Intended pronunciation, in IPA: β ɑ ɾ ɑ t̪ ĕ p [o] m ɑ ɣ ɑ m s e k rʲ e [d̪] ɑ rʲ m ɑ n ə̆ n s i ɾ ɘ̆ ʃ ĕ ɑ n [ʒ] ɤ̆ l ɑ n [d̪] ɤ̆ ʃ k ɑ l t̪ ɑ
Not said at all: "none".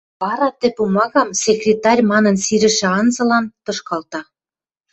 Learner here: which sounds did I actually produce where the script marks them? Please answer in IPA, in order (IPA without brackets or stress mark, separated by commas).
u, t̪, z, t̪